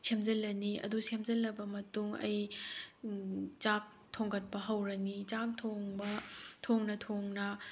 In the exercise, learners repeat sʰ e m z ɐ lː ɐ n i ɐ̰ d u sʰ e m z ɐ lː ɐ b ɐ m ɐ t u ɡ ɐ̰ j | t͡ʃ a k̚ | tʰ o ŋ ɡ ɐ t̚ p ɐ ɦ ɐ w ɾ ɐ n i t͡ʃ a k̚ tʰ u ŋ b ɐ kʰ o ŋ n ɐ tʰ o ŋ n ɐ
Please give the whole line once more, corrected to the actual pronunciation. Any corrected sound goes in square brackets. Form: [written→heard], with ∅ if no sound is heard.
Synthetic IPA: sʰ e m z ɐ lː ɐ n i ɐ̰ d u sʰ e m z ɐ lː ɐ b ɐ m ɐ t u [ɡ→ŋ] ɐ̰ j | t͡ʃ a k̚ | tʰ o ŋ ɡ ɐ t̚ p ɐ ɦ ɐ w ɾ ɐ n i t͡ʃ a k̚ tʰ [u→o] ŋ b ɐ [kʰ→tʰ] o ŋ n ɐ tʰ o ŋ n ɐ